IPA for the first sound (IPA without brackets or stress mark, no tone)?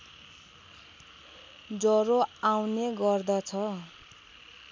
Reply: d͡z